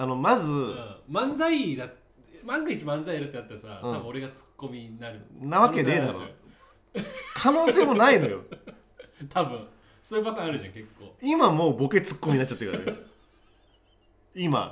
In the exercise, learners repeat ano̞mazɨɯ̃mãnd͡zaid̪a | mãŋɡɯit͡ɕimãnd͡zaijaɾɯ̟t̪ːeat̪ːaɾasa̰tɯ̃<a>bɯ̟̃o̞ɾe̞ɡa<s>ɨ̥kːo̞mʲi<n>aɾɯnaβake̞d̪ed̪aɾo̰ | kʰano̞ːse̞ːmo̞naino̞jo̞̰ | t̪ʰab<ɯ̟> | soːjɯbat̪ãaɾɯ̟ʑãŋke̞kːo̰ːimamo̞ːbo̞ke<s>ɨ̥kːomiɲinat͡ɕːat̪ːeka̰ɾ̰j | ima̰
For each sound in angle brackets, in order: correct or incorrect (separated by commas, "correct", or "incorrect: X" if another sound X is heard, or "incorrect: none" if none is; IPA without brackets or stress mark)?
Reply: correct, incorrect: t͡s, correct, incorrect: ɯ̟̃, incorrect: t͡s